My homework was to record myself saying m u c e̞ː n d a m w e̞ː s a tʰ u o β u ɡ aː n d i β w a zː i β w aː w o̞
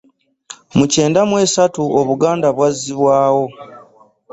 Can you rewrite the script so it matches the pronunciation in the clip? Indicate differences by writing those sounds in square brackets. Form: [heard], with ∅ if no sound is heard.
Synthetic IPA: m u c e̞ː n d a m w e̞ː s a [t] u o β u ɡ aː n d [a] β w a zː i β w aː w o̞